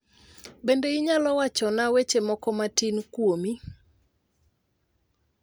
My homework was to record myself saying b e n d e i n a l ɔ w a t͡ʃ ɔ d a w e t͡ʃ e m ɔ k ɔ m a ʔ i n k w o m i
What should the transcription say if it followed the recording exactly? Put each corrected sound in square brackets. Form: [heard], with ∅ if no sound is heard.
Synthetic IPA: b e n d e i [ɲ] a l ɔ w a t͡ʃ ɔ [n] a w e t͡ʃ e m ɔ k ɔ m a [t] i n k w o m i